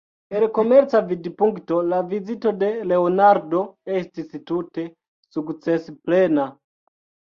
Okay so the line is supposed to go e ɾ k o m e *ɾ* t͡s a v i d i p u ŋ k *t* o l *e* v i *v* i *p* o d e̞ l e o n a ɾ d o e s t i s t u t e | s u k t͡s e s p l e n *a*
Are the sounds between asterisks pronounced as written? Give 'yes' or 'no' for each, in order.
yes, yes, no, no, no, yes

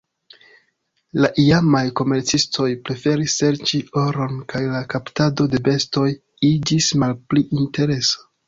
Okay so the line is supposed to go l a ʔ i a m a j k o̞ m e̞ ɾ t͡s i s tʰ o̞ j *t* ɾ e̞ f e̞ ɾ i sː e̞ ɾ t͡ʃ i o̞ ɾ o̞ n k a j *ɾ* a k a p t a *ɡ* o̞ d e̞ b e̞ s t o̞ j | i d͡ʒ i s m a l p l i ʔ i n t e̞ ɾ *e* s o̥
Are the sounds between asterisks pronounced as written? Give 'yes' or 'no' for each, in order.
no, no, no, yes

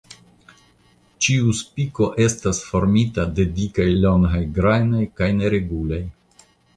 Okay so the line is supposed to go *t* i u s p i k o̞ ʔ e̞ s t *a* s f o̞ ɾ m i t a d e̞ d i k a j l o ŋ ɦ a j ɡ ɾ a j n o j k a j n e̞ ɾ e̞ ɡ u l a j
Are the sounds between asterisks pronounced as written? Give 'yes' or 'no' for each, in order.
no, yes

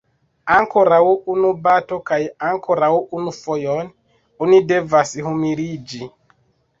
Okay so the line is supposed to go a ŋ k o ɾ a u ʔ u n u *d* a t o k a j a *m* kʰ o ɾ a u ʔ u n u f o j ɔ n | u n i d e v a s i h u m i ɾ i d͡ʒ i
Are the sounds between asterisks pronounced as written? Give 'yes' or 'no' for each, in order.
no, no

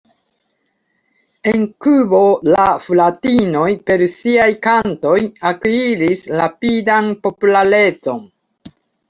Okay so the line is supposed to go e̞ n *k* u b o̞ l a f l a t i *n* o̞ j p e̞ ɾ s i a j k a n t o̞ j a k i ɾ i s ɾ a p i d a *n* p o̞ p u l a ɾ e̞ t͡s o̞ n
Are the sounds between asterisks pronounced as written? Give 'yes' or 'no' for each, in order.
yes, yes, yes

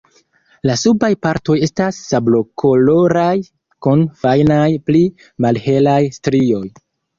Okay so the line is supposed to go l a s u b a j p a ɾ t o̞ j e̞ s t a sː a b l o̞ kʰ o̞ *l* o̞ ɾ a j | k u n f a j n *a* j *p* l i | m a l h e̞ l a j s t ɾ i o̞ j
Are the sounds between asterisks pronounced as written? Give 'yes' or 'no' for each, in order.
yes, yes, yes

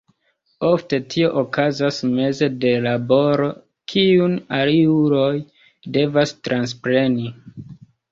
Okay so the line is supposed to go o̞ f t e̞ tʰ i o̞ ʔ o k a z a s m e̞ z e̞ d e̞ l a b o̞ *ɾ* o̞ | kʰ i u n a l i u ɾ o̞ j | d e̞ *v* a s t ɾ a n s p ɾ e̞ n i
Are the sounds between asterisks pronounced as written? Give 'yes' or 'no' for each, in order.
yes, yes

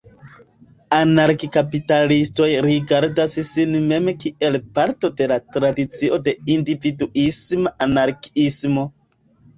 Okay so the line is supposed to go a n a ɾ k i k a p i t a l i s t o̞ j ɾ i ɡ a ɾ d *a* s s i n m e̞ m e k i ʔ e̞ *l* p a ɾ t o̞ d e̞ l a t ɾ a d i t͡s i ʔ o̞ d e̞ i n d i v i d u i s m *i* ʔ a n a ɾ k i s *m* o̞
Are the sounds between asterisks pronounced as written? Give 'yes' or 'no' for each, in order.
yes, yes, no, yes

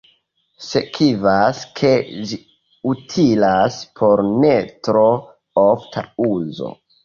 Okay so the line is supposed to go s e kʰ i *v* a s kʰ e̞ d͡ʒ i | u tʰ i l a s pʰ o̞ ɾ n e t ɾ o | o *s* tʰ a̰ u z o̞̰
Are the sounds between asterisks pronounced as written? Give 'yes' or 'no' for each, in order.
yes, no

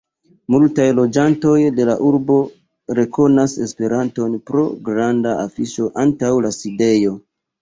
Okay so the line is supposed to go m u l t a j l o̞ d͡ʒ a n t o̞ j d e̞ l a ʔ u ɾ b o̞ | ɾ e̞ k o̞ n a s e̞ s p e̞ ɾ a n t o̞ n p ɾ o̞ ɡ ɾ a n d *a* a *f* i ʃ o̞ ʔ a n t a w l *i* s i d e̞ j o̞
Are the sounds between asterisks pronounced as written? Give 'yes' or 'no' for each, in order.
yes, yes, no

